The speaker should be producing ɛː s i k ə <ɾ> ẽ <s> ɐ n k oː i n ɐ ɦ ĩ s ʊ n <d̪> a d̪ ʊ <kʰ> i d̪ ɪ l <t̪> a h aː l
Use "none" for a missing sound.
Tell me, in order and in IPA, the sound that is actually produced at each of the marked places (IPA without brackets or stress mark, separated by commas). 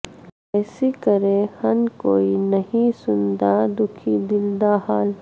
ɾ, h, d̪, kʰ, d̪